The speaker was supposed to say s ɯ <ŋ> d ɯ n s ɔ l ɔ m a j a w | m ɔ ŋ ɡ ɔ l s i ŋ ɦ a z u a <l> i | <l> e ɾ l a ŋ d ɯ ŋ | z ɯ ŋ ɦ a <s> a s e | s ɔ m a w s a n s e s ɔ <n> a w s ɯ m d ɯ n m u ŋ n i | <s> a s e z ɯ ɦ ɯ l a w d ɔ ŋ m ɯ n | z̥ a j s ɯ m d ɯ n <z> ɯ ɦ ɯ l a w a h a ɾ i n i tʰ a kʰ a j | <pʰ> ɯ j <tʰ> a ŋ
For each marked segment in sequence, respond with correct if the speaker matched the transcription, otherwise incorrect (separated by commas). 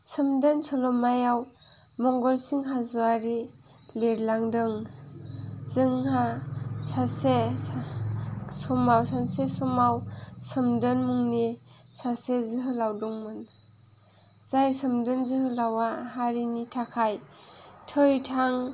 incorrect, incorrect, correct, correct, incorrect, correct, correct, incorrect, correct